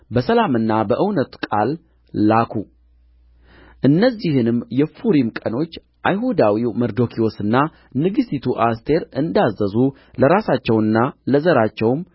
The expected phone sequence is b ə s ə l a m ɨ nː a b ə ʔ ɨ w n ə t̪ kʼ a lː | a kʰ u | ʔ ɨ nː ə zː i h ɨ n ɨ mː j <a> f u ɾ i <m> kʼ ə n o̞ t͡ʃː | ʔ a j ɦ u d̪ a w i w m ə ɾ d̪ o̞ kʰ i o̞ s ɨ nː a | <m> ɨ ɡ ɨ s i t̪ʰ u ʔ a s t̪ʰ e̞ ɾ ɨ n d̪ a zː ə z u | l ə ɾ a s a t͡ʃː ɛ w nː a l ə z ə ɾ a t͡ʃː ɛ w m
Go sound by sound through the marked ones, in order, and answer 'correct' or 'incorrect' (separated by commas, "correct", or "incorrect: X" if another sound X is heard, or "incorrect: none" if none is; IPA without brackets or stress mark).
incorrect: ɛ, correct, incorrect: n